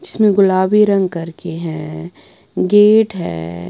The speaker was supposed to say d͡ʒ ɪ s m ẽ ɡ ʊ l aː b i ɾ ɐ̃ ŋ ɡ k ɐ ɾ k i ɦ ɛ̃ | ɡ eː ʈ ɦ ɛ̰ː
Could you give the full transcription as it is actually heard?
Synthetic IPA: d͡ʒ ɪ s m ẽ ɡ ʊ l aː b i ɾ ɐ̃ ŋ ɡ k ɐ ɾ k e ɦ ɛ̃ | ɡ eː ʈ ɦ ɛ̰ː